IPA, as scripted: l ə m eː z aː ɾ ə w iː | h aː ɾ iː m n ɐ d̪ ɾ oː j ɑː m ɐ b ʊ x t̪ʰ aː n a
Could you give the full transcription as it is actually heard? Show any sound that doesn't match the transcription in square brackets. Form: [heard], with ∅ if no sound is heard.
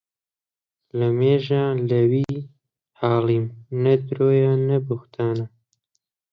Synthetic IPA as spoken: l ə m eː [ʒ] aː [l] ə w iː | h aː [l] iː m n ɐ d̪ ɾ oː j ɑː [n] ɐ b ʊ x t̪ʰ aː n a